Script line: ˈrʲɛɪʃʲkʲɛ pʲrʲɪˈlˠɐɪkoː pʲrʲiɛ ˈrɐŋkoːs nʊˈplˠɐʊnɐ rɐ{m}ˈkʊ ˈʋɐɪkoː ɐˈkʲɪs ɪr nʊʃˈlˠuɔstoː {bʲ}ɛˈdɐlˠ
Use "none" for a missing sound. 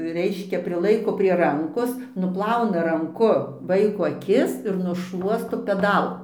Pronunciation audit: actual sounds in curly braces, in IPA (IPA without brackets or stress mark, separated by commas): ŋ, pʲ